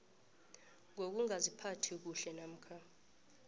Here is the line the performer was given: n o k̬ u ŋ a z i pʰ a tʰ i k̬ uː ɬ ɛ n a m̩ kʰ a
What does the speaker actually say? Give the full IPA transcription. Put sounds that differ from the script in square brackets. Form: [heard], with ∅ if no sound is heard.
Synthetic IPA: [ŋ] o k̬ u ŋ a z i pʰ a tʰ i k̬ [u] ɬ ɛ n a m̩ kʰ a